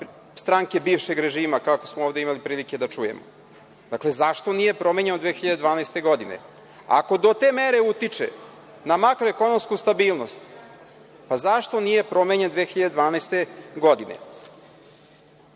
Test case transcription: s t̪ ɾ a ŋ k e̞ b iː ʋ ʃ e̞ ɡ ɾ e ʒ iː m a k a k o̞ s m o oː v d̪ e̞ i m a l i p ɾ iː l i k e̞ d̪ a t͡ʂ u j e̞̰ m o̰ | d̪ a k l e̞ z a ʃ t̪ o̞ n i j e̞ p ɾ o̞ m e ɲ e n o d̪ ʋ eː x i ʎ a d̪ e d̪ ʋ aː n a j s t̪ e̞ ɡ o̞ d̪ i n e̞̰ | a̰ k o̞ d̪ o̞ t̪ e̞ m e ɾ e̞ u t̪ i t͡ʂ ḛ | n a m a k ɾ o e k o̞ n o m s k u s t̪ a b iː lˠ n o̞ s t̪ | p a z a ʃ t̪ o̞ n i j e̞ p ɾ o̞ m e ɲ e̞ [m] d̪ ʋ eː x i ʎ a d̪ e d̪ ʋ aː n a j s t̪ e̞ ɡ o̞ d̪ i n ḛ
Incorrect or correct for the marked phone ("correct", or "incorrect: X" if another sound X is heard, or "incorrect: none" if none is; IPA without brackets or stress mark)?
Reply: incorrect: n